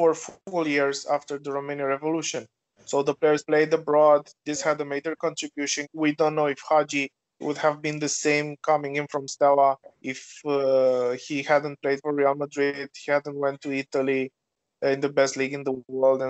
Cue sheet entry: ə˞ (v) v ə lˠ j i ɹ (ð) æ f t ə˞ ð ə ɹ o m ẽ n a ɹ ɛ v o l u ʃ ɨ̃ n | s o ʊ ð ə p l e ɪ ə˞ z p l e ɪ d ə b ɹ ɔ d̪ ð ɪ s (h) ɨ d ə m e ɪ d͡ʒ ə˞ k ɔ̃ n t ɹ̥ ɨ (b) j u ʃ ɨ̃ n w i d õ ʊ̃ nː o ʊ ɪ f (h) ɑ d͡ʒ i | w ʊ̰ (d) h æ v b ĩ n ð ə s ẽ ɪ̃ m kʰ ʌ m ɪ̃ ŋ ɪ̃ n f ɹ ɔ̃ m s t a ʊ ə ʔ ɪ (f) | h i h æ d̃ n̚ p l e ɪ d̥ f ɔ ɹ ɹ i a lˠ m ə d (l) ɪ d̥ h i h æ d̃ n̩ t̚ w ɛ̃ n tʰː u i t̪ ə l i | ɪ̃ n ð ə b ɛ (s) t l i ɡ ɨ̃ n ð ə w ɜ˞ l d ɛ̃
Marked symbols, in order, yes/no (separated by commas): no, no, yes, yes, yes, yes, yes, no, yes